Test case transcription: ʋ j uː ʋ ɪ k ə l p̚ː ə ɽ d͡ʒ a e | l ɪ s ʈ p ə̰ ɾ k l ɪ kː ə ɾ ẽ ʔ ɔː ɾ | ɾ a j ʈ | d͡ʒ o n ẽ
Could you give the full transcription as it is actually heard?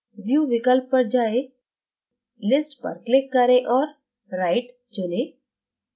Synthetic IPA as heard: ʋ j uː ʋ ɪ k ə l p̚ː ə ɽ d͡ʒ a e | l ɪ s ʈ p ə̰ ɾ k l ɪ kː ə ɾ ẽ ʔ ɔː ɾ | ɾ a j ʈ | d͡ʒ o n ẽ